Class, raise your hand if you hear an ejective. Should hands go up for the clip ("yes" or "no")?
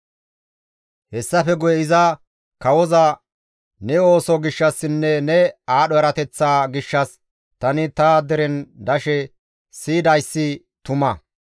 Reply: no